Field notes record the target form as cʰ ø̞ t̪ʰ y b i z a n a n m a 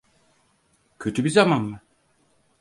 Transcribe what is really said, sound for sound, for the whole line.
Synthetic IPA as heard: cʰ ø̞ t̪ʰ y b i z a m a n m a